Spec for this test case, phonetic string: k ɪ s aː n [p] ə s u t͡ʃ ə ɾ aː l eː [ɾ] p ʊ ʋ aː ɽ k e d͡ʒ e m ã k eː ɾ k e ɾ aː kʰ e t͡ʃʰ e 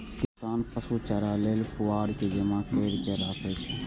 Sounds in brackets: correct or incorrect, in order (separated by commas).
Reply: correct, incorrect